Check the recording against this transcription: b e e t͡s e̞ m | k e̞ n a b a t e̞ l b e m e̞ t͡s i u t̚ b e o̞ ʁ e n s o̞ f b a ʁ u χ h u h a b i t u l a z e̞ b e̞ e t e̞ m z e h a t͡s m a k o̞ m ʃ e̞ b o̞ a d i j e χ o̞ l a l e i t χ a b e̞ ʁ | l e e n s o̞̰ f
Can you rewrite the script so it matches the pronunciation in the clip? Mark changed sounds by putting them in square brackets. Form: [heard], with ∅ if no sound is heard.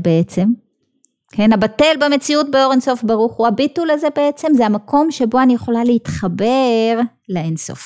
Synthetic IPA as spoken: b e e t͡s e̞ m | k e̞ n a b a t e̞ l b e m e̞ t͡s i u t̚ b e o̞ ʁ e n s o̞ f b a ʁ u χ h u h a b i t u l a z e̞ b e̞ e [t͡s] e̞ m z e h a [∅] m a k o̞ m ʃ e̞ b o̞ a [n] i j e χ o̞ l a l e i t χ a b e̞ ʁ | l e e n s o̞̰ f